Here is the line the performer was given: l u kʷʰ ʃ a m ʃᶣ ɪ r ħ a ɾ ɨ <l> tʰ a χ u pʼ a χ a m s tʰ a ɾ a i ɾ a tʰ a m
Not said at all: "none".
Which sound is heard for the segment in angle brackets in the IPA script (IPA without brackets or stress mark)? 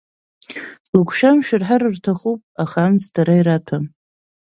r